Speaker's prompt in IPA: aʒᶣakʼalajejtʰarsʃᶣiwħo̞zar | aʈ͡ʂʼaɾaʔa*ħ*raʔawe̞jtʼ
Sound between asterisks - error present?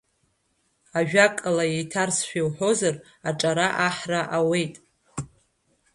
no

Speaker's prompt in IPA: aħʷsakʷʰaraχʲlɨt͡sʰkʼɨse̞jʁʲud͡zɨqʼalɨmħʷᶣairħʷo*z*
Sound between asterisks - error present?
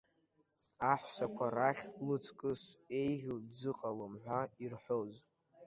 no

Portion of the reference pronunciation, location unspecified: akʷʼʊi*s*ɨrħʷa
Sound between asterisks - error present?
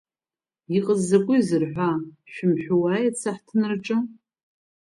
yes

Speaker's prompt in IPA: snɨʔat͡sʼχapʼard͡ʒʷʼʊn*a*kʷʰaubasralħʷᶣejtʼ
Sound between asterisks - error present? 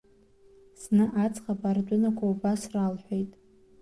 no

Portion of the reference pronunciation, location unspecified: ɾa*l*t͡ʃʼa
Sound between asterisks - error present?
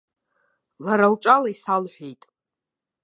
no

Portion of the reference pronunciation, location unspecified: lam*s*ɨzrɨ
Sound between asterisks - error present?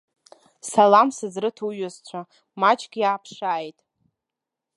no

